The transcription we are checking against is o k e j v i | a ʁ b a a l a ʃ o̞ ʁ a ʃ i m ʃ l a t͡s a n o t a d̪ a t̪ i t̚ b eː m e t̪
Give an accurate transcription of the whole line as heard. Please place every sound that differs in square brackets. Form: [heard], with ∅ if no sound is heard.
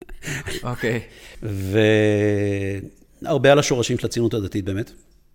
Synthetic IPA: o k e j v [e] | a ʁ b [e] a l a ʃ o̞ ʁ a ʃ i m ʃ l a t͡s [i] n [u] t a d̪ a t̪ i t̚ b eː m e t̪